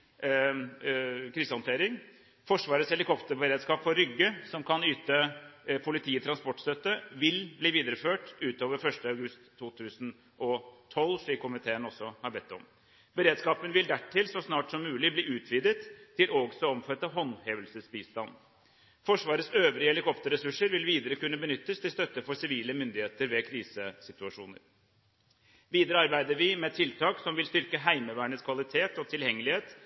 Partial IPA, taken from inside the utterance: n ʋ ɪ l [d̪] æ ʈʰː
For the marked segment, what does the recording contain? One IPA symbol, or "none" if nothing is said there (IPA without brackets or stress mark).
d̪